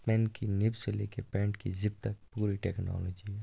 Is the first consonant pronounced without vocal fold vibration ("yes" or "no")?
yes